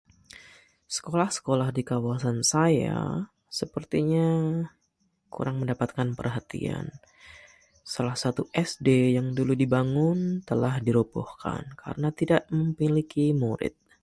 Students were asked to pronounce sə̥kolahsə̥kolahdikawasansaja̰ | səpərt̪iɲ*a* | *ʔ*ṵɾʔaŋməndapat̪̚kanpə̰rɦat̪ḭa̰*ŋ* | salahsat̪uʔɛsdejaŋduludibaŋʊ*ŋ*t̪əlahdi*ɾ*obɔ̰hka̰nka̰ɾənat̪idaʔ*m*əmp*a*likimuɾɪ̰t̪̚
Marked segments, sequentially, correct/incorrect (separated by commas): correct, incorrect, incorrect, incorrect, correct, correct, incorrect